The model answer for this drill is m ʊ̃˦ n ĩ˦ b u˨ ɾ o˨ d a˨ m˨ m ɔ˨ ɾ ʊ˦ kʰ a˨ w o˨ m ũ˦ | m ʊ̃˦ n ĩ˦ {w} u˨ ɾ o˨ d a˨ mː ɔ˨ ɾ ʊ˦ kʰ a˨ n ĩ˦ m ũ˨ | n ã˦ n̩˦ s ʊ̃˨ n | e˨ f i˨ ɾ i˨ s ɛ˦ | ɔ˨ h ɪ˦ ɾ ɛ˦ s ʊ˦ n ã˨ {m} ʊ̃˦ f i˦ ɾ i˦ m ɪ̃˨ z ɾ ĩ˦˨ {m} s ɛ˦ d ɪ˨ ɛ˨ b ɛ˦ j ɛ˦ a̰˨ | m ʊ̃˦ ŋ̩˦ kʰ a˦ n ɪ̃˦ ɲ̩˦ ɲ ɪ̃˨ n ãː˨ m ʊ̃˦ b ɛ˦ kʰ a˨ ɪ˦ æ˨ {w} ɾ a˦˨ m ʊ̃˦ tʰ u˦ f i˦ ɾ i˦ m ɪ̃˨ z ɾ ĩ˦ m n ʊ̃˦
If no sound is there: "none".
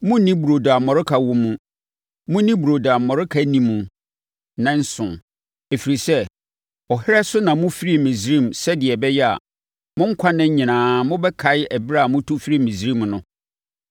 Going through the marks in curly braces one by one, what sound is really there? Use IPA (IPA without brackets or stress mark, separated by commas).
b, m, m, b